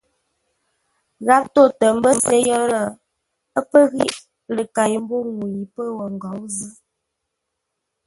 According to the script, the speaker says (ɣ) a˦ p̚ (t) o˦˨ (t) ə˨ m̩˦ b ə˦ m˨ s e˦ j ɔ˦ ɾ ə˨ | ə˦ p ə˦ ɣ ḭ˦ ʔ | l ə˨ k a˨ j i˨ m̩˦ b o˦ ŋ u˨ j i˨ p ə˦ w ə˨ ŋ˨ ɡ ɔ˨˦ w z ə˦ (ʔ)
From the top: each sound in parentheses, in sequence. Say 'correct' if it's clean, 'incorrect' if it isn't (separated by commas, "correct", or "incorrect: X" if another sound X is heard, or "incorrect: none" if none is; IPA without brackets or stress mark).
correct, correct, correct, incorrect: none